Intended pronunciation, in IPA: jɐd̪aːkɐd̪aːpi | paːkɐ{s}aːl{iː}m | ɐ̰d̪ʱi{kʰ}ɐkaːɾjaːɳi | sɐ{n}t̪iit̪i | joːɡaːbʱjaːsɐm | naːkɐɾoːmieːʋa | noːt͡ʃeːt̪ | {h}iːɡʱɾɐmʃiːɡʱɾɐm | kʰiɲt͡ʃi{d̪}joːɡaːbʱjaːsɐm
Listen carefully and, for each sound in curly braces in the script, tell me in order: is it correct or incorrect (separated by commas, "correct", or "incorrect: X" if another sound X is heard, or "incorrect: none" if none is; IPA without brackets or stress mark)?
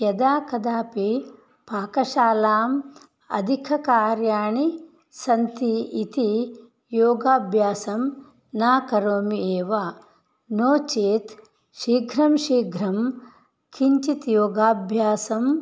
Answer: incorrect: ʃ, incorrect: aː, correct, correct, incorrect: ʃ, incorrect: t̪